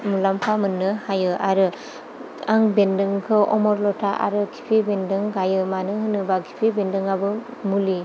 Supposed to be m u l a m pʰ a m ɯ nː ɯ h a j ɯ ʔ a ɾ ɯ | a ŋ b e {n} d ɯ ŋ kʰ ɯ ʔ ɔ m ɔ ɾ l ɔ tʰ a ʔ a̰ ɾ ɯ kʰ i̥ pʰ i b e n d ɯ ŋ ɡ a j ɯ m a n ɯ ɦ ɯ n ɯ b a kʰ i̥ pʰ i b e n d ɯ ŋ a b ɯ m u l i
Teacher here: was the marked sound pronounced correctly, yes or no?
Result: yes